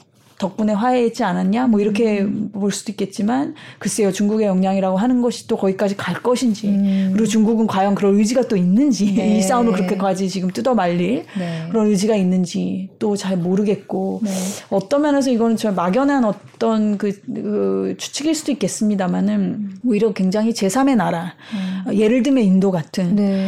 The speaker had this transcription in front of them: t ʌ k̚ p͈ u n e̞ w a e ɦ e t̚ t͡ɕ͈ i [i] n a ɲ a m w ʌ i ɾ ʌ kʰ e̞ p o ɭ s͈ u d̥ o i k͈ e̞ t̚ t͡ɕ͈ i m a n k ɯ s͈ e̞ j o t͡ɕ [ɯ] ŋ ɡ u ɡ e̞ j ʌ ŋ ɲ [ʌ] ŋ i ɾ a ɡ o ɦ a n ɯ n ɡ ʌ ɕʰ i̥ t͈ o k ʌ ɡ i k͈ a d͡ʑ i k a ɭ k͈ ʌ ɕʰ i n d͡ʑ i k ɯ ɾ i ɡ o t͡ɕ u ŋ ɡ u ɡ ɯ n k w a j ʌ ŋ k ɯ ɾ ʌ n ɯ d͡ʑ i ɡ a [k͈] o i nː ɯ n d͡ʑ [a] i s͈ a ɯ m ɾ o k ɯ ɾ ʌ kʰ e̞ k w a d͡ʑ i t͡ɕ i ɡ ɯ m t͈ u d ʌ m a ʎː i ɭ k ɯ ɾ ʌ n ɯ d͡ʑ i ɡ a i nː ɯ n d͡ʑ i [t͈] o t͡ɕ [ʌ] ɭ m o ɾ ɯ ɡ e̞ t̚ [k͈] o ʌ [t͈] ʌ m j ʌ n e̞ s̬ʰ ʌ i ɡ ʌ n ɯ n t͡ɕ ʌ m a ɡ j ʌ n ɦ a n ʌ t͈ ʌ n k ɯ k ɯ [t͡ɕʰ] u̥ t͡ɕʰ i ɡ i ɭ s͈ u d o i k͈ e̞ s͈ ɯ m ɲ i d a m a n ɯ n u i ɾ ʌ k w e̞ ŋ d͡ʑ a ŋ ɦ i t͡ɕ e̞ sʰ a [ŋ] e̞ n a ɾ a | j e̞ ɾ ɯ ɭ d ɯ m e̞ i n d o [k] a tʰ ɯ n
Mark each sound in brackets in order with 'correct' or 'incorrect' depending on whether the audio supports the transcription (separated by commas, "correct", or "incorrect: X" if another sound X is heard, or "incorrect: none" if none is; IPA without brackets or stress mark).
incorrect: a, incorrect: u, incorrect: a, incorrect: t͈, incorrect: i, correct, incorrect: a, correct, correct, correct, incorrect: m, incorrect: ɡ